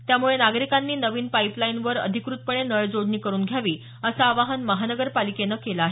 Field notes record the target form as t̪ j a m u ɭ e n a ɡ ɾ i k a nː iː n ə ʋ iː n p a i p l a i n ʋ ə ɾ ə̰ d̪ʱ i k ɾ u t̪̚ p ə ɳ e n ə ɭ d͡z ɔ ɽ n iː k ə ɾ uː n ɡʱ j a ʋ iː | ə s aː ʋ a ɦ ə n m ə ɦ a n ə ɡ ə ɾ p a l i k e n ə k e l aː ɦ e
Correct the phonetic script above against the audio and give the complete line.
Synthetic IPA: t̪ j a m u ɭ e n a ɡ ɾ i k a nː iː n ə ʋ iː n p a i p l a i n ʋ ə ɾ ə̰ d̪ʱ i k ɾ u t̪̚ p ə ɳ e n ə ɭ d͡z o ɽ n iː k ə ɾ uː n ɡʱ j a ʋ iː | ə s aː ʋ a ɦ ə n m ə ɦ a n ə ɡ ə ɾ p a l i k e n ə k e l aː ɦ e

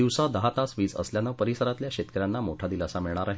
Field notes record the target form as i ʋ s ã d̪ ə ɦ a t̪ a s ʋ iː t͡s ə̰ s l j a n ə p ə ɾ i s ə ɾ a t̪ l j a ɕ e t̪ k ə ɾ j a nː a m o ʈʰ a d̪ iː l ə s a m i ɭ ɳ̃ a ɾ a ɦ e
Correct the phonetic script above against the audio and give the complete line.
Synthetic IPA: i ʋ s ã d̪ ə ɦ a t̪ a s ʋ iː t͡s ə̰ s l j a n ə p ə ɾ i s ə ɾ a t̪ l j a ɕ e t̪ k ə ɾ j a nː a m o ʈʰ a d̪ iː l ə s a m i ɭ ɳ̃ a ɾ a ɦ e

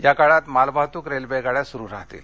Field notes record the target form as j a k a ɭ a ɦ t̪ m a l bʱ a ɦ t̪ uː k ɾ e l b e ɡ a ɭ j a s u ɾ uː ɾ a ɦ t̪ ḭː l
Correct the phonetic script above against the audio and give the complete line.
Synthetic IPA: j a k a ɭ a t̪ m a l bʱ a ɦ t̪ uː k ɾ e l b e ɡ a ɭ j a s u ɾ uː ɾ a ɦ t̪ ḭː l

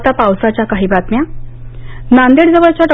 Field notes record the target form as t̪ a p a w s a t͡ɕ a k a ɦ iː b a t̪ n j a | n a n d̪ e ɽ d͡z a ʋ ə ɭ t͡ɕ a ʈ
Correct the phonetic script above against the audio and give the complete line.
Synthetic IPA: t̪ a p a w s a t͡ɕ a k a ɦ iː b a t̪ m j a | n a n d̪ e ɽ d͡z ə ʋ ə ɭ t͡ɕ a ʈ

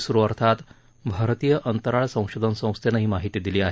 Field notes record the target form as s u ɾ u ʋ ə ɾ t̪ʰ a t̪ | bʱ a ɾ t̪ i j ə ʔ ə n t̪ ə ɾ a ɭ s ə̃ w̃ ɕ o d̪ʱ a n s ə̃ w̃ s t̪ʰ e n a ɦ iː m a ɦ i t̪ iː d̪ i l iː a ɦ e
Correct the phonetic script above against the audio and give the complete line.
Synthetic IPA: s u ɾ u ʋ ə ɾ t̪ʰ a t̪ | bʱ a ɾ t̪ i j ə ʔ ə n t̪ ə ɾ a ɭ s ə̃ w̃ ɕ o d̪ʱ ə n s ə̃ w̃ s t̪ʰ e n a ɦ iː m a ɦ i t̪ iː d̪ i l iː a ɦ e

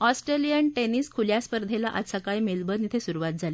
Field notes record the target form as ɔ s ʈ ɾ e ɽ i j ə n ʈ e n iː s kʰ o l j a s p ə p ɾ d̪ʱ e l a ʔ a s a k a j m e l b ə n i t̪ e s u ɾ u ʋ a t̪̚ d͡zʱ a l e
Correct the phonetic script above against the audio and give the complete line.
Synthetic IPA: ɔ s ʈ ɾ e l i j ə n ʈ e n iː s kʰ u l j a s p ə ɾ d̪ʱ e l a ʔ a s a k a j m e l b ə n i t̪ʰ e s u ɾ u ʋ a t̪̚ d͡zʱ a l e

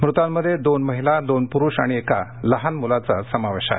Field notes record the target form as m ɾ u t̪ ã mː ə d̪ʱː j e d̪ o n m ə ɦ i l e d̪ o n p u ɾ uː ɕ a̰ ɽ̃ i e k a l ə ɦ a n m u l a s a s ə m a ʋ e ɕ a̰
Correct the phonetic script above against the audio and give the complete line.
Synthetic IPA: m ɾ u t̪ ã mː ə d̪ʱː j e d̪ o n m ə ɦ i l a d̪ o n p u ɾ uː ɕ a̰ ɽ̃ i e k a l ə ɦ a n m u l a t͡s a s ə m a ʋ e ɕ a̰

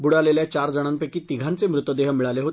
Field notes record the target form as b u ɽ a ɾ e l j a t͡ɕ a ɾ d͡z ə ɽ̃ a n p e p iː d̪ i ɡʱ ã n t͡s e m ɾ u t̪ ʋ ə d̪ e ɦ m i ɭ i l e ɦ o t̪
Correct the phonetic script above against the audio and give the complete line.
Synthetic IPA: b u ɽ a l e l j a t͡ɕ a ɾ d͡z ə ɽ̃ a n p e k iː t̪ i ɡʱ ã n t͡s e m ɾ u t̪ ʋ ə d̪ e ɦ m i ɭ a l e ɦ o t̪

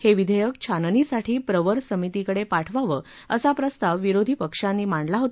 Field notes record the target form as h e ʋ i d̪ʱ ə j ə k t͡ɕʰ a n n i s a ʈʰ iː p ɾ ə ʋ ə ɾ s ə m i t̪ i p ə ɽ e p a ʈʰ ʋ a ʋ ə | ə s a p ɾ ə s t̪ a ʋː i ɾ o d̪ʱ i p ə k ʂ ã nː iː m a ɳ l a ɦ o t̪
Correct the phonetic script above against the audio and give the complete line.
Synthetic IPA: h e ʋ i d̪ʱ ə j ə k t͡ɕʰ a n n i s a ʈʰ iː p ɾ ə ʋ ə ɾ s ə m i t̪ i k ə ɽ e p a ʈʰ ʋ a ʋ ə | ə s a p ɾ ə s t̪ a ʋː i ɾ o d̪ʱ i p ə k ʂ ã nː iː m a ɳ l a ɦ o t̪

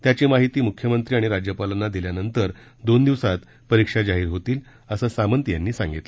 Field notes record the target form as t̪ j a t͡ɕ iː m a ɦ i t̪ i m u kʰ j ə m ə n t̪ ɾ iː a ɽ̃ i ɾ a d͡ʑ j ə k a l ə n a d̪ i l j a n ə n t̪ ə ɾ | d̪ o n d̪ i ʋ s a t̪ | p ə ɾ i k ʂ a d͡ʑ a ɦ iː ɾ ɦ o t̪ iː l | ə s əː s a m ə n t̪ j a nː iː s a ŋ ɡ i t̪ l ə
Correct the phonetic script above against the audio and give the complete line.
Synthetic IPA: t̪ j a t͡ɕ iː m a ɦ i t̪ iː m u kʰ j ə m ə n t̪ ɾ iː a ɽ̃ i ɾ a d͡ʑ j ə p a l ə n a d̪ i l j a n ə n t̪ ə ɾ | d̪ o n d̪ i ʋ s a t̪ | p ə ɾ i k ʂ a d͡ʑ a ɦ iː ɾ ɦ o t̪ iː l | ə s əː s a m ə n t̪ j a nː iː s a ŋ ɡ i t̪ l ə

